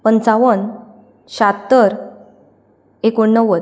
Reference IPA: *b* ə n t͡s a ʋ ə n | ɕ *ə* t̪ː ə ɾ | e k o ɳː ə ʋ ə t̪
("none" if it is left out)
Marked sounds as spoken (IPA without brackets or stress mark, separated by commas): p, a